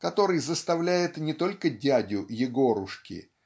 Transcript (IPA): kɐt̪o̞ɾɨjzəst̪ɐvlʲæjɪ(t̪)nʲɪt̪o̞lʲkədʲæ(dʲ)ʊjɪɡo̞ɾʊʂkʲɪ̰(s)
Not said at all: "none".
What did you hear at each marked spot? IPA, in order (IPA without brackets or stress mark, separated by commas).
t̪, dʲ, none